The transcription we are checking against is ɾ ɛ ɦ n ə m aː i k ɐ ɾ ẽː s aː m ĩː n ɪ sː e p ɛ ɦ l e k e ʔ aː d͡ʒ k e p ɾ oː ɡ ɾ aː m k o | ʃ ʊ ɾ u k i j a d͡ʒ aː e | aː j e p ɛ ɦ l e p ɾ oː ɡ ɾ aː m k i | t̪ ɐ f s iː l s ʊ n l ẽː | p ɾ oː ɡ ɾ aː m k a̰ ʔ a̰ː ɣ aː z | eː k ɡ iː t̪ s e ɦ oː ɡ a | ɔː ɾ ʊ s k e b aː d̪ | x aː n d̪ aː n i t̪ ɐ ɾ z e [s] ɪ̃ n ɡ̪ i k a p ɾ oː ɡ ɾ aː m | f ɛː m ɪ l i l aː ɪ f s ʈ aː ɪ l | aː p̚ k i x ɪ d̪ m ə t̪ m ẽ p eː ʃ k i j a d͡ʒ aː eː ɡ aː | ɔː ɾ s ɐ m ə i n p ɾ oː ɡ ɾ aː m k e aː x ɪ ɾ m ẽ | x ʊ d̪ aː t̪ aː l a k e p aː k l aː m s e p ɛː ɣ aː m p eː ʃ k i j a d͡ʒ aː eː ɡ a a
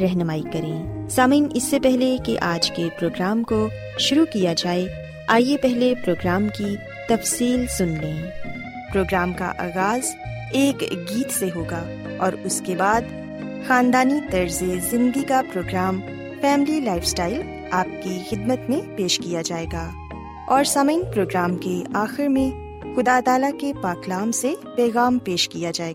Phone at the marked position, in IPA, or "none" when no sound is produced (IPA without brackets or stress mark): z